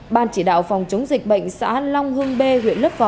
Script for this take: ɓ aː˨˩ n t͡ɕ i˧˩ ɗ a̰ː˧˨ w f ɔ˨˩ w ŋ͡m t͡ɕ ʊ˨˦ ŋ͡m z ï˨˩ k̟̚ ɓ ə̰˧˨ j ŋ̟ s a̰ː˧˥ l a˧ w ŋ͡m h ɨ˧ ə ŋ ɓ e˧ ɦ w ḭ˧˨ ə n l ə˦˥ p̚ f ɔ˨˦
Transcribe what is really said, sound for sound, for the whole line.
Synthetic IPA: ɓ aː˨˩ n t͡ɕ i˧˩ ɗ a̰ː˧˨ w f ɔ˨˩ w ŋ͡m t͡ɕ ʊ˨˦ ŋ͡m z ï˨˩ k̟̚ ɓ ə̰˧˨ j ŋ̟ s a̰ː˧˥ l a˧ w ŋ͡m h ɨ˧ ə ŋ ɓ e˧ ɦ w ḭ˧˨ ə n l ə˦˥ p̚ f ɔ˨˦